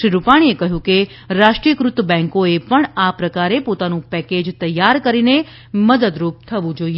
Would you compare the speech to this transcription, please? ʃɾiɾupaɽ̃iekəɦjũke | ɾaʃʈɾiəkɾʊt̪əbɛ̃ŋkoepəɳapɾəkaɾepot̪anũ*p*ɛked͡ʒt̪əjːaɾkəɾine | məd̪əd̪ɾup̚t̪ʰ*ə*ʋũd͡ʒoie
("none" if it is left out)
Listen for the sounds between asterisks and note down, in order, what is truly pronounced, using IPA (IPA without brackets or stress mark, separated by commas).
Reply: p, ə